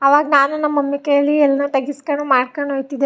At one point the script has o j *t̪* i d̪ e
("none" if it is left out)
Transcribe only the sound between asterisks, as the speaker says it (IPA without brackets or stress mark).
t̪